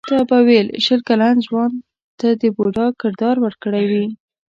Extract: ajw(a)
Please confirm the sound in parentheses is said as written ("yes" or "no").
no